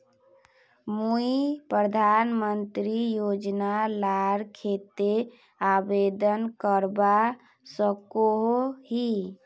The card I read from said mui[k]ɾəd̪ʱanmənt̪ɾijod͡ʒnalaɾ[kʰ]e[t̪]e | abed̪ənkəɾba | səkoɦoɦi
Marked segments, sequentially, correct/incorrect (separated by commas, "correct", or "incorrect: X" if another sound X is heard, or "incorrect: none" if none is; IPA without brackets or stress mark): incorrect: p, correct, correct